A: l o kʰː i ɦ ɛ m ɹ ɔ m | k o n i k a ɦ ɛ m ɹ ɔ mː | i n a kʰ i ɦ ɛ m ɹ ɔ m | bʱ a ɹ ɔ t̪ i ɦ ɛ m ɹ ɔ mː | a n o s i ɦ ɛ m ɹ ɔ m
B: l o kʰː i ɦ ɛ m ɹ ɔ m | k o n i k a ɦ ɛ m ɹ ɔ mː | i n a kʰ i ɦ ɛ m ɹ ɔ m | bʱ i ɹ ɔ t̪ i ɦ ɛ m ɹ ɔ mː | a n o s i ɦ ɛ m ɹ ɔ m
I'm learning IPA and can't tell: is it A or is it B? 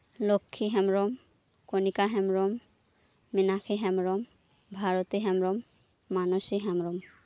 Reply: A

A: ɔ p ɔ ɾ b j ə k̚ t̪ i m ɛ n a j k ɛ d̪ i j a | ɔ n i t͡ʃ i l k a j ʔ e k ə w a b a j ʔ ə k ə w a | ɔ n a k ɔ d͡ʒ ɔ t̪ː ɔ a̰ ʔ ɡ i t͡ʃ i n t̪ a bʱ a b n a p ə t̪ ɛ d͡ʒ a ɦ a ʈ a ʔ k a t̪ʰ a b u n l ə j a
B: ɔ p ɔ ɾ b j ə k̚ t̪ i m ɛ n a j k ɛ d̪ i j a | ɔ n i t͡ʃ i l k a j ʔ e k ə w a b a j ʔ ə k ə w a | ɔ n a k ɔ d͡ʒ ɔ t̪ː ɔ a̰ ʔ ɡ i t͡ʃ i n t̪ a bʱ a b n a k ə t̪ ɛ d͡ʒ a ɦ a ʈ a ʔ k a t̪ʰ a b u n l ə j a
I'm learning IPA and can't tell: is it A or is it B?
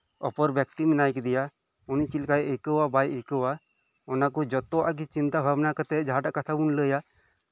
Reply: B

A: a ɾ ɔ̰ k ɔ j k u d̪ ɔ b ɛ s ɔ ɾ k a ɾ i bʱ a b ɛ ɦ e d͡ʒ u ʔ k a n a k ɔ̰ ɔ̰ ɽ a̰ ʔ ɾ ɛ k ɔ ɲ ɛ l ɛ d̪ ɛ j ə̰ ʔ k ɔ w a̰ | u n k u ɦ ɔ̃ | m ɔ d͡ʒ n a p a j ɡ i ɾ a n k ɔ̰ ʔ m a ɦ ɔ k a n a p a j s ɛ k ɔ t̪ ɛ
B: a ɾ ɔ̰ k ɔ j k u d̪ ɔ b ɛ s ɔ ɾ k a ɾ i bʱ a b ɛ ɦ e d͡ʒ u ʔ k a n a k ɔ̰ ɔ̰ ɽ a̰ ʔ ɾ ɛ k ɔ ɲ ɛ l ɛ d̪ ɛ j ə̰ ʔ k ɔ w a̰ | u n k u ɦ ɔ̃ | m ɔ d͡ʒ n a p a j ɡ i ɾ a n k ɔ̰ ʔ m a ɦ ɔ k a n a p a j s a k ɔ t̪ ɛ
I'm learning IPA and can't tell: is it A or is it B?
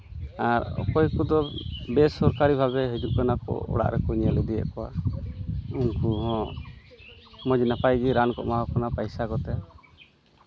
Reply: B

